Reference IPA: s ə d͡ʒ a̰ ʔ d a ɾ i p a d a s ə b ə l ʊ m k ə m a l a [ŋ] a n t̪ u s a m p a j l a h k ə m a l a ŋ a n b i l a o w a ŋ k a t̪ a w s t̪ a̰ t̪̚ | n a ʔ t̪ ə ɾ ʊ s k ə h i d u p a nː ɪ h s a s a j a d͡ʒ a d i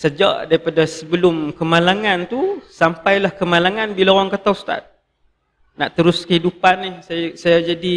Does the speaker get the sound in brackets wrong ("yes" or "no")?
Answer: no